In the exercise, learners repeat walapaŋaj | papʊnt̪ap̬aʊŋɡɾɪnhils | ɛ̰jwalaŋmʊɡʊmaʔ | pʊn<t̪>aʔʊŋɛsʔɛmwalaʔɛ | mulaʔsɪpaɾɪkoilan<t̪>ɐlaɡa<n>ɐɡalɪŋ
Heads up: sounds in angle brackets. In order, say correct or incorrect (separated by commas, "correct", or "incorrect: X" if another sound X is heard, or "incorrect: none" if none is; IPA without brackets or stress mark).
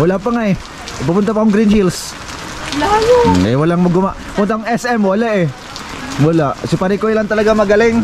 correct, correct, incorrect: m